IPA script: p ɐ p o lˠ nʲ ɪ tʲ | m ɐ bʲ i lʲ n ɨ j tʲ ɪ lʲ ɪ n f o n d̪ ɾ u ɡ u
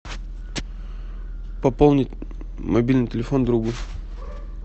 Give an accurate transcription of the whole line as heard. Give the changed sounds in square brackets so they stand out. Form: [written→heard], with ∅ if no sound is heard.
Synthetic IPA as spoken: p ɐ p o lˠ nʲ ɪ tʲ | m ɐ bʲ i lʲ n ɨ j tʲ ɪ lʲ ɪ [n→∅] f o n d̪ ɾ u ɡ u